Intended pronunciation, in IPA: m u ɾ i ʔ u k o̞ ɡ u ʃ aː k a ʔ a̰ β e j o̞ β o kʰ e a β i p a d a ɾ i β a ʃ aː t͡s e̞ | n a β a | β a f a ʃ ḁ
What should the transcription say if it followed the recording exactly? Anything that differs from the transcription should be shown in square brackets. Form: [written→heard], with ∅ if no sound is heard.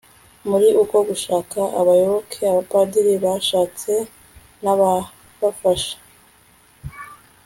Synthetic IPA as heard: m u ɾ i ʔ u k o̞ ɡ u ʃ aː k a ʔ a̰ β [e→a] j o̞ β o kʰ e a β [i→a] p a d [a→i] ɾ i β a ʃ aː t͡s e̞ | n a β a | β a f a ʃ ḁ